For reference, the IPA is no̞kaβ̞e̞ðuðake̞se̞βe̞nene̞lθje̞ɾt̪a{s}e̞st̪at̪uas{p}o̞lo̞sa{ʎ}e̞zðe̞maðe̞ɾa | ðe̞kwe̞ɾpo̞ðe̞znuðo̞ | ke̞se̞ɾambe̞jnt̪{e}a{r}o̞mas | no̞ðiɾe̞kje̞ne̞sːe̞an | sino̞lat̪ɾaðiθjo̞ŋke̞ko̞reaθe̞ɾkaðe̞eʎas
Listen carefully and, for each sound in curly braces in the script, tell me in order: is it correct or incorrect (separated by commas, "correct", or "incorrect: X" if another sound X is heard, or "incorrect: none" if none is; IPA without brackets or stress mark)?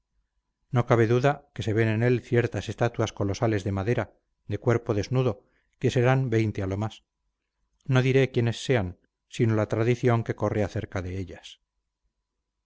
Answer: correct, incorrect: k, incorrect: l, correct, incorrect: l